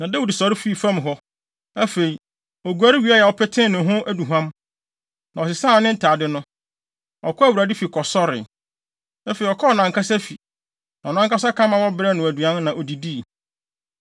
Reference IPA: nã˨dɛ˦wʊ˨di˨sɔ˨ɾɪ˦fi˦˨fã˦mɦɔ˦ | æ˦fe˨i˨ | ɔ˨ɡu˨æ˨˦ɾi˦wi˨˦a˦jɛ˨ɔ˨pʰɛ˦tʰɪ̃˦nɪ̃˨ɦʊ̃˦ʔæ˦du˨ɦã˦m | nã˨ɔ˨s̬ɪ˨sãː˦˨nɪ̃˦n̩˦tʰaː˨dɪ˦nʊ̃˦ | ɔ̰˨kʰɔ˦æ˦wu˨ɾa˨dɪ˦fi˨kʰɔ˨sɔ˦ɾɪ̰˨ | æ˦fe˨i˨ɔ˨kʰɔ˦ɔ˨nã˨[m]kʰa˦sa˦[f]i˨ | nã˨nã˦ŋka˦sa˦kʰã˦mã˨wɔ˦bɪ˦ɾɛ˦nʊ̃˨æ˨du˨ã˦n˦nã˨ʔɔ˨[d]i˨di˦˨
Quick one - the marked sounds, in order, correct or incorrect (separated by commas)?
incorrect, correct, correct